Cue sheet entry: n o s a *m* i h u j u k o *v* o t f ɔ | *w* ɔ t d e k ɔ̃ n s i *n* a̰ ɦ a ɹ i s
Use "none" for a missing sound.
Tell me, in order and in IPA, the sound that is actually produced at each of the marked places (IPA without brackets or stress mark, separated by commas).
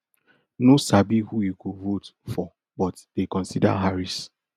b, v, b, d